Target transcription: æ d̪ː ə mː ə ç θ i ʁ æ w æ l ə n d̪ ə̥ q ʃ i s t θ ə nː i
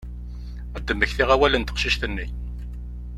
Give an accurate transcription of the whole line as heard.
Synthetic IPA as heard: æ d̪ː ə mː ə ç θ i ʁ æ w æ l ə n t̪ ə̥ q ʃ i ʃ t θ ə nː i